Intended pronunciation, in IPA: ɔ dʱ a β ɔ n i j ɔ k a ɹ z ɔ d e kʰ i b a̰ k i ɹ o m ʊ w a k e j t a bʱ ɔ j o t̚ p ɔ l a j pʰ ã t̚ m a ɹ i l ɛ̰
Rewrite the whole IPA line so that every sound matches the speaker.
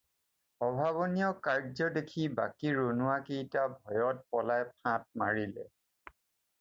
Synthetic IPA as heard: ɔ bʱ a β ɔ n i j ɔ k a ɹ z ɔ d e kʰ i b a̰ k i ɹ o n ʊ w a k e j t a bʱ ɔ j ɔ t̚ p ɔ l a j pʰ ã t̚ m a ɹ i l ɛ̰